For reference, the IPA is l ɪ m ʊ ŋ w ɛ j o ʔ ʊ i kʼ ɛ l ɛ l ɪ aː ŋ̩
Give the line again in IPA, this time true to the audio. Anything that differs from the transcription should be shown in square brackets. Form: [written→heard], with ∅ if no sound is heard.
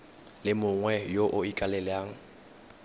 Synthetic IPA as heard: l ɪ m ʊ ŋ w ɛ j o ʔ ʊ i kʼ [ɛ→a] l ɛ l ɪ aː ŋ̩